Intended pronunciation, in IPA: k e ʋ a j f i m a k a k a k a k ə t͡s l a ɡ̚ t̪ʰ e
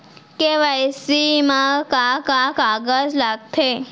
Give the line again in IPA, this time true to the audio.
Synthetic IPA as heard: k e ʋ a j s i m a k a k a k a ɡ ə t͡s l a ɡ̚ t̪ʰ e